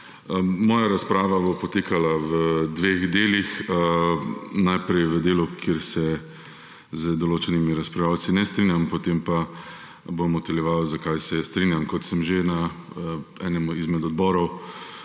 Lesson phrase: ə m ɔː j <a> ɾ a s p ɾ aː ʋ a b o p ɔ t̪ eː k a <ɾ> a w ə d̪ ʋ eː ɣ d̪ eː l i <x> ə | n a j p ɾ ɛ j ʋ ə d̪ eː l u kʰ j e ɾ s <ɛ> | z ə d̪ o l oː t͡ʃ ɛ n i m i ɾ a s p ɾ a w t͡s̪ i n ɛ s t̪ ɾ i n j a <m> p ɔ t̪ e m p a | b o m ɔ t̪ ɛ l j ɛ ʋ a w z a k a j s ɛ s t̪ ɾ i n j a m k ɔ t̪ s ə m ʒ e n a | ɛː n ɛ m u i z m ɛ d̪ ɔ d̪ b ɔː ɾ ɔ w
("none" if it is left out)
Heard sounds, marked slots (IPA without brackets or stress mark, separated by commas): a, l, x, ɛ, m